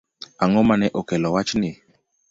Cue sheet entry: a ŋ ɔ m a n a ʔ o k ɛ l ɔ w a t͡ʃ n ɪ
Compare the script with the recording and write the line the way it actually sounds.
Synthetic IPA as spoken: a ŋ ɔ m a n ɛ ʔ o k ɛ l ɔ w a t͡ʃ n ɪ